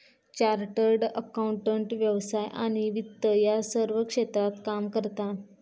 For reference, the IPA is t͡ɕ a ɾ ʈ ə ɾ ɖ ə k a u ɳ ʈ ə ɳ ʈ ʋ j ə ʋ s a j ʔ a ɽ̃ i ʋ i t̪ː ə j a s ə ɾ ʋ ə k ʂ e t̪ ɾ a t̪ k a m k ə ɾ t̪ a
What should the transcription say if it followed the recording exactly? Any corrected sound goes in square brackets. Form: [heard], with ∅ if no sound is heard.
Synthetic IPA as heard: t͡ɕ a ɾ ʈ ə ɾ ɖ ə k a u ɳ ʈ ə ɳ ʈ ʋ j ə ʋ s a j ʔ a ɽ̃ i ʋ i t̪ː ə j a s ə ɾ ʋ ə k ʂ e t̪ ɾ a t̪ k a m k ə ɾ t̪ a